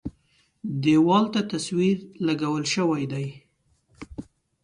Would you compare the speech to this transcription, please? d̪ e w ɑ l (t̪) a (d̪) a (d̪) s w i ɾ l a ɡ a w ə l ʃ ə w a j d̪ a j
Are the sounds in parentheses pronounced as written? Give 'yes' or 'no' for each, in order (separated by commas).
yes, no, no